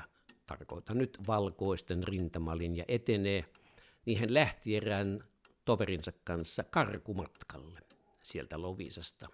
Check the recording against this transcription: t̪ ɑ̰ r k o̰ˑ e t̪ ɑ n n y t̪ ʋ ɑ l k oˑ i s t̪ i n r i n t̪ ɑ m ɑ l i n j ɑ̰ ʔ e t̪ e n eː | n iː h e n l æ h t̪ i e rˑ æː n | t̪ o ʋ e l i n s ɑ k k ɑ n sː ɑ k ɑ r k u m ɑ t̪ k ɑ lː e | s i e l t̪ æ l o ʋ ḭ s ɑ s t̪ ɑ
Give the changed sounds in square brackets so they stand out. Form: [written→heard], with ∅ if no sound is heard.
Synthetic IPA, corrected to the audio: t̪ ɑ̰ r k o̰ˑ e t̪ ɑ n n y t̪ ʋ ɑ l k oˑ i s t̪ [i→e] n r i n t̪ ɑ m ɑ l i n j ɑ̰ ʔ e t̪ e n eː | n iː h e n l æ h t̪ i e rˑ æː n | t̪ o ʋ e [l→r] i n s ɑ k k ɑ n sː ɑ k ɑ r k u m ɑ t̪ k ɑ lː e | s i e l t̪ æ l o ʋ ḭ s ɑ s t̪ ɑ